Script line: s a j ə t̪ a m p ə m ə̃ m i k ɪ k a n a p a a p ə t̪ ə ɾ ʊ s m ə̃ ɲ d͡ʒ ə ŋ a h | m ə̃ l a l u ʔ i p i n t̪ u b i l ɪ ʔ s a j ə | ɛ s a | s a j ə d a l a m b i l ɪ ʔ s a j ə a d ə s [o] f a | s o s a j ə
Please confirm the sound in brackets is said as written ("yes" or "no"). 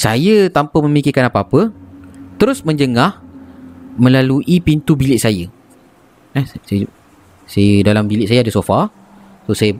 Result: yes